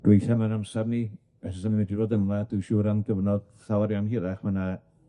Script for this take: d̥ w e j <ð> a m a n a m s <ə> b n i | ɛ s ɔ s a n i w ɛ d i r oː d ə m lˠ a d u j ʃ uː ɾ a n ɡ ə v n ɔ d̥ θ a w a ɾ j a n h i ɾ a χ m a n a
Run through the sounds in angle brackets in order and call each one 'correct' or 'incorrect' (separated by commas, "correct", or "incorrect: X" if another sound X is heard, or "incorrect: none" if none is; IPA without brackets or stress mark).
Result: incorrect: θ, incorrect: a